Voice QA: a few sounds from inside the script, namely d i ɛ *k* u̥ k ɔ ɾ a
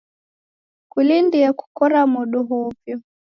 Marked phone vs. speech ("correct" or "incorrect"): correct